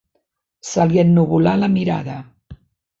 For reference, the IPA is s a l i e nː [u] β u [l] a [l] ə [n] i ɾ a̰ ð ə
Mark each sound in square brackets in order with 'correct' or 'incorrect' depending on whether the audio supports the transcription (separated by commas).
correct, correct, correct, incorrect